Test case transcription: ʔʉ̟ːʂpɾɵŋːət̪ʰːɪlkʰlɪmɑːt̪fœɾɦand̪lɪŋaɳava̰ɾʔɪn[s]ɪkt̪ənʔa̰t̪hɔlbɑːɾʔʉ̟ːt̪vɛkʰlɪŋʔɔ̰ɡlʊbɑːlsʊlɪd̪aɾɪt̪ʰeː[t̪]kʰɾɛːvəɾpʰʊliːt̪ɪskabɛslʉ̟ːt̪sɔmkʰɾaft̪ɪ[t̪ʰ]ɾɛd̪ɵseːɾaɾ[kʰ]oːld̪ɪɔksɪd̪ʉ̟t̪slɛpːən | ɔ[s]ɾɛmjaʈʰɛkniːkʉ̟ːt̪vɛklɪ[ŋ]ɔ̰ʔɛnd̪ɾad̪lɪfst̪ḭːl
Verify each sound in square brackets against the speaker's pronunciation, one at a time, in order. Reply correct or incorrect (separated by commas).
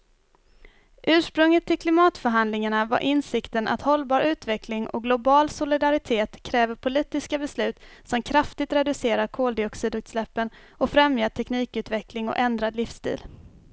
correct, correct, incorrect, correct, incorrect, correct